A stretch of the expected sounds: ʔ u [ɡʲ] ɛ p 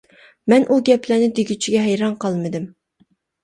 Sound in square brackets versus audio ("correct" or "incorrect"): correct